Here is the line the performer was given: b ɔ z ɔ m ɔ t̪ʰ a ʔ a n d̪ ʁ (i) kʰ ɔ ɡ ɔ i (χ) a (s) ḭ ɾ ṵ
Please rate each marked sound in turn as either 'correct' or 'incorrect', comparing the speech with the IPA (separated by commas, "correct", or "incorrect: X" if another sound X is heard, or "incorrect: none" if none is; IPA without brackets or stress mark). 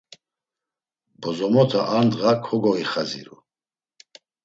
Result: incorrect: a, correct, incorrect: z